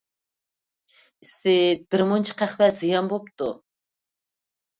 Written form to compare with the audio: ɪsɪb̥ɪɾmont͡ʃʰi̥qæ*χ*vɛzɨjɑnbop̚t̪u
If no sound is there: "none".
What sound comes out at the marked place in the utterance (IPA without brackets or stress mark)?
χ